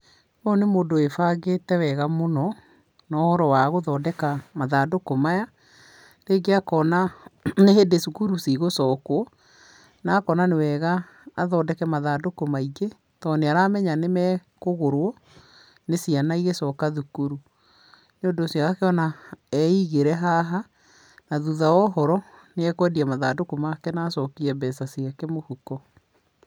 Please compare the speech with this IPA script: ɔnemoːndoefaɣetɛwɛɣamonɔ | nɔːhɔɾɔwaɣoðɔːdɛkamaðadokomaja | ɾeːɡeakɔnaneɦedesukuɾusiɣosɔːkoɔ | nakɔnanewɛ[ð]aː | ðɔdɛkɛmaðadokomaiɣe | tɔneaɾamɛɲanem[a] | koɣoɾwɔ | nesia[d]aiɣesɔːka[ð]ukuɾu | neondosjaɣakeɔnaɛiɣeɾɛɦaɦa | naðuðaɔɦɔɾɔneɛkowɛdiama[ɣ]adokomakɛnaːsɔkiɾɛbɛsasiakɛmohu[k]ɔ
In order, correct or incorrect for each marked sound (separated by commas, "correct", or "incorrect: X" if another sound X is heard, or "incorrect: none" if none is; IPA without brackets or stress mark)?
incorrect: ɣ, incorrect: ɛ, incorrect: n, correct, incorrect: ð, correct